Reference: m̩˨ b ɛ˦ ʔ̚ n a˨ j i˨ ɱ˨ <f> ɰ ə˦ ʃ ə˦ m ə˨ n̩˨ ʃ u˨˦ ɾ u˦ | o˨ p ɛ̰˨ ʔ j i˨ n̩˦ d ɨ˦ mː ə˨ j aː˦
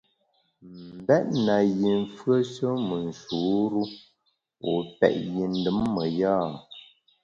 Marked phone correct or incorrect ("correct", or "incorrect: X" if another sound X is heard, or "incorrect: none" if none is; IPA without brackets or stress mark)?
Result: correct